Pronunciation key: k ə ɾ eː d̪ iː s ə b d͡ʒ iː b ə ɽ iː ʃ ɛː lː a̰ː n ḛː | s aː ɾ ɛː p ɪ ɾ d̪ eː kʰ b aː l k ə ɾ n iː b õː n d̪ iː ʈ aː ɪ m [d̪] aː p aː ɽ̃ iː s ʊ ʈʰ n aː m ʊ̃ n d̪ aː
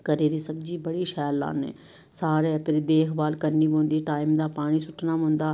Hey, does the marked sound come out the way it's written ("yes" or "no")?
yes